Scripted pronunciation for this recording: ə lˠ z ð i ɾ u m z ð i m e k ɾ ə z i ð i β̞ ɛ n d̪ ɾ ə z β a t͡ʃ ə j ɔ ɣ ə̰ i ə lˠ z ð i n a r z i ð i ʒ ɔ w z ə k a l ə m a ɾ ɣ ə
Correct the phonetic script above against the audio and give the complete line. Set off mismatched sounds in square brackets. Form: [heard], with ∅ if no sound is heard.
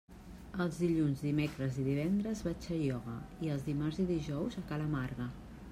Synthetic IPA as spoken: ə lˠ z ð i [ʎ] u [n] z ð i m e k ɾ ə z i ð i β̞ ɛ n d̪ ɾ ə z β a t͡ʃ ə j ɔ ɣ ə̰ i ə lˠ z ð i [m] a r z i ð i ʒ ɔ w z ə k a l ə m a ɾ ɣ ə